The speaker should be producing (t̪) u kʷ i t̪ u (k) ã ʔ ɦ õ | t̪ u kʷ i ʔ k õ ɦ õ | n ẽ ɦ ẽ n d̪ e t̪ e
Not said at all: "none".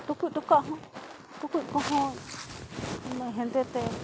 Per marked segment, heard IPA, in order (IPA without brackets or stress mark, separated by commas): t̪, k